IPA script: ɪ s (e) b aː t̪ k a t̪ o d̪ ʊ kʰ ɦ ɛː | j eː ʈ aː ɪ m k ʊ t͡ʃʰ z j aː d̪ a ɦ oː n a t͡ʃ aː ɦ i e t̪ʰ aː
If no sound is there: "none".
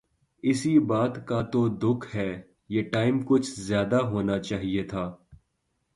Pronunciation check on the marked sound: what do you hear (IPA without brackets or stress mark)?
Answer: i